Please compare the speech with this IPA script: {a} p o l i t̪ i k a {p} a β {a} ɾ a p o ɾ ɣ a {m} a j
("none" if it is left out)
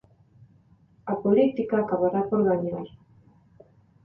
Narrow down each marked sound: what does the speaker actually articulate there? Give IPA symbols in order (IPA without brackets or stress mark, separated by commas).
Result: a, k, a, ɲ